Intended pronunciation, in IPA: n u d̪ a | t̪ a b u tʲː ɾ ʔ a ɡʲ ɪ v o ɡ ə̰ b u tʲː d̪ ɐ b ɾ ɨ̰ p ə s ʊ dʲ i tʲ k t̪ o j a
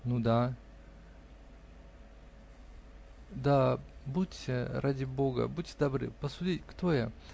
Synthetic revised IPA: n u d̪ a | d̪ a b u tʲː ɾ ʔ a dʲ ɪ b o ɡ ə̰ b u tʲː d̪ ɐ b ɾ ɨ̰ p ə s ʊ dʲ i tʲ k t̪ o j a

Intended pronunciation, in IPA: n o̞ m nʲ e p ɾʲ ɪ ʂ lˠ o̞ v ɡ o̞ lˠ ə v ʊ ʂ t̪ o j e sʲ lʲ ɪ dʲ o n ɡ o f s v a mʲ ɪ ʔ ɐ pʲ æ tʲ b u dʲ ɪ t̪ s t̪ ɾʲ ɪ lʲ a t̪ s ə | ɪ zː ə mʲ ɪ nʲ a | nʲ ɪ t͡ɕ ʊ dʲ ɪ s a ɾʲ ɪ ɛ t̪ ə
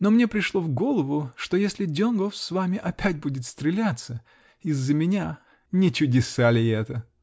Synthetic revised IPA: n o̞ m nʲ e p ɾʲ ɪ ʂ lˠ o̞ v ɡ o̞ lˠ ə v ʊ ʂ t̪ o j e sʲ lʲ ɪ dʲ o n ɡ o f s v a mʲ ɪ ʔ ɐ pʲ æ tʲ b u dʲ ɪ t̪ s t̪ ɾʲ ɪ lʲ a t̪ s ə | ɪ zː ə mʲ ɪ nʲ a | nʲ ɪ t͡ɕ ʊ dʲ ɪ s a lʲ ɪ ɛ t̪ ə

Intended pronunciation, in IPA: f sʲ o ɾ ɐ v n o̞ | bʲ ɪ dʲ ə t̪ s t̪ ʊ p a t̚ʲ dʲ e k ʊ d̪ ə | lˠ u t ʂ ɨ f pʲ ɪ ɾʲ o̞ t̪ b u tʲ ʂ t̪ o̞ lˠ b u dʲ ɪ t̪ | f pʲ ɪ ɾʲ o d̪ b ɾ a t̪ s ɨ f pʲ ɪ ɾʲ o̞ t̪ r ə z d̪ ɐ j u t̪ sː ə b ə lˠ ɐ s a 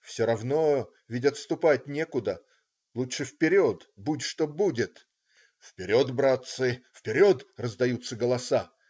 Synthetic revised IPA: f sʲ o ɾ ɐ v n o̞ | vʲ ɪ dʲ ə t̪ s t̪ ʊ p a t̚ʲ nʲ e k ʊ d̪ ə | lˠ u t ʂ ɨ f pʲ ɪ ɾʲ o̞ t̪ b u tʲ ʂ t̪ o̞ b u dʲ ɪ t̪ | f pʲ ɪ ɾʲ o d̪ b ɾ a t̪ s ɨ f pʲ ɪ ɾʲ o̞ t̪ r ə z d̪ ɐ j u t̪ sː ə ɡ ə lˠ ɐ s a

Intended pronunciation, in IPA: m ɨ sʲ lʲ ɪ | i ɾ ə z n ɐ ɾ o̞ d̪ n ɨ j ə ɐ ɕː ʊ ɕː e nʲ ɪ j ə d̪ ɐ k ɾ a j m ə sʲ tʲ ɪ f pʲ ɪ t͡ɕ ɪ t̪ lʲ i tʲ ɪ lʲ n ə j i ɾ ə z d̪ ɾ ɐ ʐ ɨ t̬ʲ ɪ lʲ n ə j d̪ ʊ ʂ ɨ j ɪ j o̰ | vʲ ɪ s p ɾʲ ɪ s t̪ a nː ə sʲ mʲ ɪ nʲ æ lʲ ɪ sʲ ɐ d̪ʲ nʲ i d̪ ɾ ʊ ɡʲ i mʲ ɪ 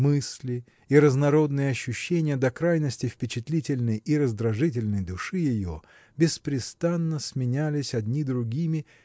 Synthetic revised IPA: m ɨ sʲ lʲ ɪ | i ɾ ə z n ɐ ɾ o̞ d̪ n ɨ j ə ɐ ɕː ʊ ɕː e nʲ ɪ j ə d̪ ɐ k ɾ a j n ə sʲ tʲ ɪ f pʲ ɪ t͡ɕ ɪ t̪ lʲ i tʲ ɪ lʲ n ə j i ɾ ə z d̪ ɾ ɐ ʐ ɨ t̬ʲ ɪ lʲ n ə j d̪ ʊ ʂ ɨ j ɪ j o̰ | bʲ ɪ s p ɾʲ ɪ s t̪ a nː ə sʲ mʲ ɪ nʲ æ lʲ ɪ sʲ ɐ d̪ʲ nʲ i d̪ ɾ ʊ ɡʲ i mʲ ɪ

